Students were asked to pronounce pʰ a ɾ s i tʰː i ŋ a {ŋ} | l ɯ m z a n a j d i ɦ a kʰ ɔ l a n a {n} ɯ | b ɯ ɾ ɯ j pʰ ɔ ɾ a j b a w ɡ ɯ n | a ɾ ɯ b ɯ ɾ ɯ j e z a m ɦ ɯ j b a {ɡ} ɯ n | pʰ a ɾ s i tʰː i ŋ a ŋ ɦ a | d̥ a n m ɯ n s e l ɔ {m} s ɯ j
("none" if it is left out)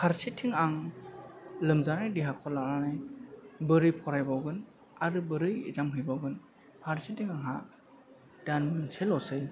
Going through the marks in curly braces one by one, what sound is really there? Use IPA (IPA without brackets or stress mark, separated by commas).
ŋ, n, ɡ, none